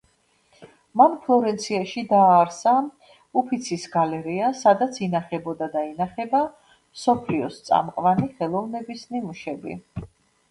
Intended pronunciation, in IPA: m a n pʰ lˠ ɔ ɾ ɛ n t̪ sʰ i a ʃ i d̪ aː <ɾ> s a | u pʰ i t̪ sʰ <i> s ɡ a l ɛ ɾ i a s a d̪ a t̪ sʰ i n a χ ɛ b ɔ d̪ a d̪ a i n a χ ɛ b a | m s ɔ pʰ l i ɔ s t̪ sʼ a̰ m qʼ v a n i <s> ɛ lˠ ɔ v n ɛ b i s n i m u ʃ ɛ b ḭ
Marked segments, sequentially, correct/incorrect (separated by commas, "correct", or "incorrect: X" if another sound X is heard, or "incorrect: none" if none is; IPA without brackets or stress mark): correct, correct, incorrect: χ